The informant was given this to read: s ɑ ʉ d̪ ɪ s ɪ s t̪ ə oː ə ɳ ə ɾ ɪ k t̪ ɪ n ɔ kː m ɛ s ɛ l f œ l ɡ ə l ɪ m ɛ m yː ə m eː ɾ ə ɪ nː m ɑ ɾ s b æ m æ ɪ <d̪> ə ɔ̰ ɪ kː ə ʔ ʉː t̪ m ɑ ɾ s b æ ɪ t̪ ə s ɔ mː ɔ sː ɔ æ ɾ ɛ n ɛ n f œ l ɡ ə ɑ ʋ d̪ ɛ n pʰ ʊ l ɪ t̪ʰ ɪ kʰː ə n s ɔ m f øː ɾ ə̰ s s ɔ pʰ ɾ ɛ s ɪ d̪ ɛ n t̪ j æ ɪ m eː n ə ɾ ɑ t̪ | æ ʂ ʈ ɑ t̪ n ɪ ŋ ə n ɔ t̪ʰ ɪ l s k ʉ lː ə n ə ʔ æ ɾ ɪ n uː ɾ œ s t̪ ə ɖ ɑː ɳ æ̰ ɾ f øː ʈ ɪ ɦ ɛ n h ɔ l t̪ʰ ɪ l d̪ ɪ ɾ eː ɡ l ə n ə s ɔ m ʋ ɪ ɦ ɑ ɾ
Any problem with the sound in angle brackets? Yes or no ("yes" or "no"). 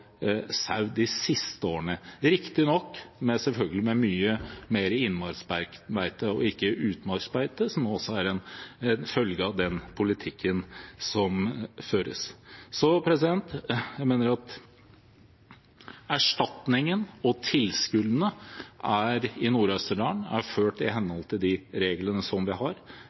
yes